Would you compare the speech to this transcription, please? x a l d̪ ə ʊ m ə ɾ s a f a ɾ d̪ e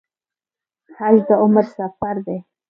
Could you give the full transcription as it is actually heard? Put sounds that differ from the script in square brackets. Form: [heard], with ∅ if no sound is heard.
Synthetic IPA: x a l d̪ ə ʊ m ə ɾ s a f a ɾ d̪ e